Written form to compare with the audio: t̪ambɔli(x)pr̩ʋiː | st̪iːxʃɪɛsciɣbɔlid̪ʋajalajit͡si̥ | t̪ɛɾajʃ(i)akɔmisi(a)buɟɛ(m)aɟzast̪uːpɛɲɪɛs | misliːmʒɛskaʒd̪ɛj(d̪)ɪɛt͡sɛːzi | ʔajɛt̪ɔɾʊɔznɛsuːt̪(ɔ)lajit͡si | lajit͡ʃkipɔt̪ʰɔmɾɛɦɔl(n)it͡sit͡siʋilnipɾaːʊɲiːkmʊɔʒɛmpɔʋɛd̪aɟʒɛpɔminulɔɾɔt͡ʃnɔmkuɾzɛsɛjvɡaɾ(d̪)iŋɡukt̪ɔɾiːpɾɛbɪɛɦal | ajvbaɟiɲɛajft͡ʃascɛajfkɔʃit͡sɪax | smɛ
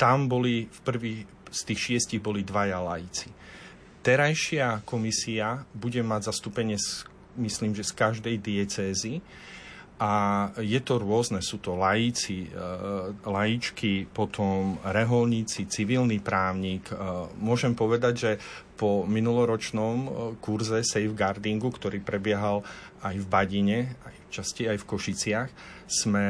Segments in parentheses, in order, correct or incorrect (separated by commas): incorrect, incorrect, correct, correct, correct, correct, incorrect, correct